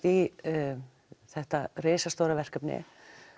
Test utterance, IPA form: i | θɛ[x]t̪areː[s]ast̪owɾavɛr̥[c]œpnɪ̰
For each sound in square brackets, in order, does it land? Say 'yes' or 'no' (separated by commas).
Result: no, yes, no